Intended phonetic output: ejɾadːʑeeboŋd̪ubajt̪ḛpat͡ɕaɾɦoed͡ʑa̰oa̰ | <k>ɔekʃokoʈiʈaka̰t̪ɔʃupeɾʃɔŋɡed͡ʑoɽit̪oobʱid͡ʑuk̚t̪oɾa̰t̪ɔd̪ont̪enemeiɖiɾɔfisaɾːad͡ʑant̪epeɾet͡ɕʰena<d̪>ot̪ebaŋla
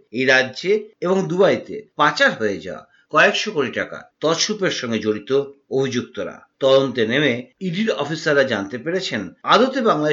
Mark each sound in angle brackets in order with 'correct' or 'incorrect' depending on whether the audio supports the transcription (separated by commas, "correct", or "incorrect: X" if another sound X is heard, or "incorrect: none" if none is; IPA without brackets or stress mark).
correct, correct